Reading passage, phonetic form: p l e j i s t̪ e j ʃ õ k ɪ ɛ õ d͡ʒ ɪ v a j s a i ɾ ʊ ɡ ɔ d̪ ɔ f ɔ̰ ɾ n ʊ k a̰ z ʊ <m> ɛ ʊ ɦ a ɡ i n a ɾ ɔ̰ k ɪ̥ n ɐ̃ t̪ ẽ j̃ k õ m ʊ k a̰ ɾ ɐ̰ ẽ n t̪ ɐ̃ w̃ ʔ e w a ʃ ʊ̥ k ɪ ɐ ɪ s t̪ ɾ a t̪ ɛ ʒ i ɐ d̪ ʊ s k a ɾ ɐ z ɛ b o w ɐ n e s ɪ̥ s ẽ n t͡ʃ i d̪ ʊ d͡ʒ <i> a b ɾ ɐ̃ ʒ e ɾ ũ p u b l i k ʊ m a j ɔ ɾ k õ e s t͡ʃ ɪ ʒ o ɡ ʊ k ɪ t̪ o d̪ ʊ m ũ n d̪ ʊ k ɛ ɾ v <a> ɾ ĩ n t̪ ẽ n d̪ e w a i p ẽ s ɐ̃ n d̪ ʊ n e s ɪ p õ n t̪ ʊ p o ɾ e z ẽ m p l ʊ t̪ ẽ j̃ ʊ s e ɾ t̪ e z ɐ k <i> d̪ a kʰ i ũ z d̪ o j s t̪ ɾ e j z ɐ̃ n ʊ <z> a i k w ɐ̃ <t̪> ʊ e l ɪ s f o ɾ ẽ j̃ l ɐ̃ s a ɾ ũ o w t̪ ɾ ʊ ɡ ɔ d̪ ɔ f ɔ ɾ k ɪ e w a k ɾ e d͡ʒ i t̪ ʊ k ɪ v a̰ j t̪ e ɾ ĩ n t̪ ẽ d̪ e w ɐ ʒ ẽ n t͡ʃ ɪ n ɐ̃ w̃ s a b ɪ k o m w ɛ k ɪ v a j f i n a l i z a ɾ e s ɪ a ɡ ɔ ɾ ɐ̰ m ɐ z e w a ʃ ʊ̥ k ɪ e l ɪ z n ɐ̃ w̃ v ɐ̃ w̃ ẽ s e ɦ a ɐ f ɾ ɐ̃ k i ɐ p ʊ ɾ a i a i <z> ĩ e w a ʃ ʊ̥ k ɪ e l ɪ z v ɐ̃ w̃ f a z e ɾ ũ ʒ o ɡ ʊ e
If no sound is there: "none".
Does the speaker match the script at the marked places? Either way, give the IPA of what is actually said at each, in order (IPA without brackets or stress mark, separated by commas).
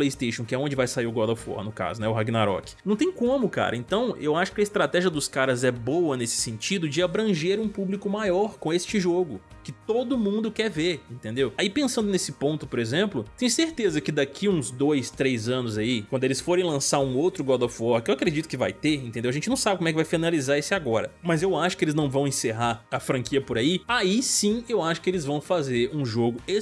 n, ɪ, e, ɪ, z, d̪, s